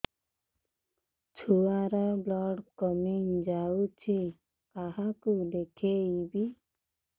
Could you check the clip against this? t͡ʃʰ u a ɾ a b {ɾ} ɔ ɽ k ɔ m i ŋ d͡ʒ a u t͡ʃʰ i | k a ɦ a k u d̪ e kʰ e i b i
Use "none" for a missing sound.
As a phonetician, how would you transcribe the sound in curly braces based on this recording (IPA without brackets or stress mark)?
l